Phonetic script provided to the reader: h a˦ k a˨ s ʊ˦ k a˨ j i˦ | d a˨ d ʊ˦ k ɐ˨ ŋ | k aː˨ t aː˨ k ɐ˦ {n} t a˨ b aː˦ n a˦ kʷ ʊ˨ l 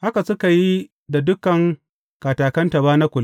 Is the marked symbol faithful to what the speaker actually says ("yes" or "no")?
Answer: yes